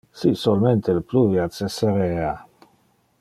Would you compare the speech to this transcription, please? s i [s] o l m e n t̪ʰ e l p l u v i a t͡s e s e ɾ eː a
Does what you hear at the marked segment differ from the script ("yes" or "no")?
no